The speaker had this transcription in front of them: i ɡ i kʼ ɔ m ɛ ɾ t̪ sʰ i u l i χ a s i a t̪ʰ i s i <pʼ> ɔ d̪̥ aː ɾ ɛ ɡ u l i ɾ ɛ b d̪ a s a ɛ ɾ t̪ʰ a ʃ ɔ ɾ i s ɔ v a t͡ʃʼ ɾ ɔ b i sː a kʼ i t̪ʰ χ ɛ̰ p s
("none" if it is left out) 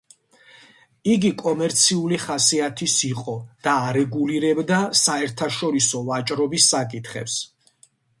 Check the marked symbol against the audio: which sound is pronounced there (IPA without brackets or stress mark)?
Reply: qʼ